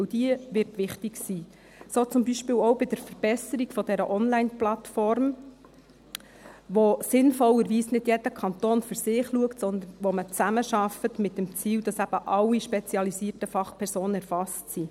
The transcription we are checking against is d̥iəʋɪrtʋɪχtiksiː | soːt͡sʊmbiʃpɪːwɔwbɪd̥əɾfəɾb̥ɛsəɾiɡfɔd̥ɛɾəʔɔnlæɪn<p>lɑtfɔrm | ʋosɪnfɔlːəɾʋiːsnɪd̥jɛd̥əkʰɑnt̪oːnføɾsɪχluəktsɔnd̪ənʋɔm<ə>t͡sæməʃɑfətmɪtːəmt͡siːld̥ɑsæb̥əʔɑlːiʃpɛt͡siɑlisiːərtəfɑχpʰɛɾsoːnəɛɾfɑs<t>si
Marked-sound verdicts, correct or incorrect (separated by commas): correct, correct, correct